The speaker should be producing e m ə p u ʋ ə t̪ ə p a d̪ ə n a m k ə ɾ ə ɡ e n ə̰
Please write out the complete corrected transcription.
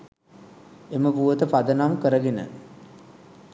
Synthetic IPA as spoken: e m ə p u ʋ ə t̪ ə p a d̪ ə n a m k ə ɾ ə ɡ e n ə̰